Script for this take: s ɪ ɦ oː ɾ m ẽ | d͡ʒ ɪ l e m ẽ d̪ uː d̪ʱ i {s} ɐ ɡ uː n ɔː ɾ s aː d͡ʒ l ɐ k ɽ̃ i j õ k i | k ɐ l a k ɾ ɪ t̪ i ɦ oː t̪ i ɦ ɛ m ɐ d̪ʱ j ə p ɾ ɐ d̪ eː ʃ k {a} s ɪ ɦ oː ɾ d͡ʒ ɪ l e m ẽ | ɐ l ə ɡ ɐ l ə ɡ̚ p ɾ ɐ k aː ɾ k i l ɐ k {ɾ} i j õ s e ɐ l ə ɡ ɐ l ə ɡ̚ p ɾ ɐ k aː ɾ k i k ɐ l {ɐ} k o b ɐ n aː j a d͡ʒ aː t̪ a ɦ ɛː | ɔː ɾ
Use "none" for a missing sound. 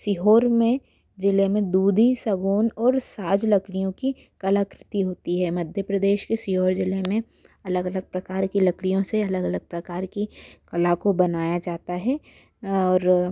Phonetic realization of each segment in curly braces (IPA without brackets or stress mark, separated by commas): s, e, ɽ, a